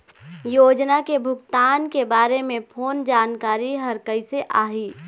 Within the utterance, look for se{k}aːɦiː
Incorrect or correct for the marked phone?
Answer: incorrect: ʔ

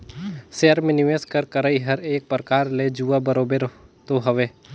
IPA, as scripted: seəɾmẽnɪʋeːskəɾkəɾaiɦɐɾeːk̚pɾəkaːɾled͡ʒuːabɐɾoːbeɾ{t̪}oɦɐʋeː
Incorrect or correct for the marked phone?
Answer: correct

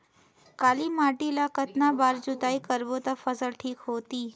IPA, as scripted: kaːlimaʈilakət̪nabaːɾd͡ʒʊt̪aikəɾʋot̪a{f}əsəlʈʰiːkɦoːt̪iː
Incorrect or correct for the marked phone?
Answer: correct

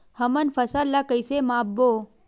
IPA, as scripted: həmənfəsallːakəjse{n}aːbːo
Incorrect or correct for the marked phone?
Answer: incorrect: m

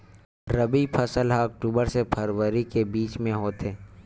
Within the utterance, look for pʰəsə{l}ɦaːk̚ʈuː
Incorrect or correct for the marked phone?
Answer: correct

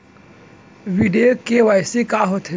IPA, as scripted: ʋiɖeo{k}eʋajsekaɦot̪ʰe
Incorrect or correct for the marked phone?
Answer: correct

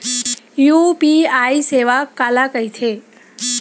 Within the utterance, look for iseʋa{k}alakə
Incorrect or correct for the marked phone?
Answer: correct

